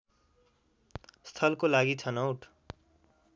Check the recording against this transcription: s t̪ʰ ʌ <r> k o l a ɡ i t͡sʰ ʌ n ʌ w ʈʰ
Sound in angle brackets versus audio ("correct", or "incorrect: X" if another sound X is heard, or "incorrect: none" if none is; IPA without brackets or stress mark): incorrect: l